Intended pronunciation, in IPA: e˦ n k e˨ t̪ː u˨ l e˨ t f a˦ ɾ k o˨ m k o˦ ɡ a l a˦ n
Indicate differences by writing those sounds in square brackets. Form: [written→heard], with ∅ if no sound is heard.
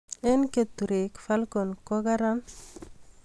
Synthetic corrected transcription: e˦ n k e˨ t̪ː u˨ [l→ɾ] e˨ [t→k] f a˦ [ɾ→l] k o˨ [m→n] k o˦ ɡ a [l→ɾ] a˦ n